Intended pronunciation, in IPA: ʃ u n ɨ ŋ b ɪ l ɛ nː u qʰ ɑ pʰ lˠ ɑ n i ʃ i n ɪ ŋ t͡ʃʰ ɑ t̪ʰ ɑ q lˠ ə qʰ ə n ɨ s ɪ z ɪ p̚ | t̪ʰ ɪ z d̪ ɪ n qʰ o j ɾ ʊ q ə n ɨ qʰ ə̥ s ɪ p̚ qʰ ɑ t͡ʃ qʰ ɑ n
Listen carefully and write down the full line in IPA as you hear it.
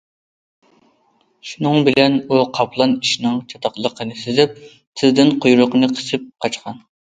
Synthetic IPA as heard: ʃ u n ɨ ŋ b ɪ l ɛ n u qʰ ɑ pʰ lˠ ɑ n i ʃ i n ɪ ŋ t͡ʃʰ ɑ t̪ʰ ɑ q lˠ ə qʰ ə n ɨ s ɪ z ɪ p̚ | t̪ʰ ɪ z d̪ ɪ n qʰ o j ɾ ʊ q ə n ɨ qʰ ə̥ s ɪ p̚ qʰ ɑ t͡ʃ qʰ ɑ n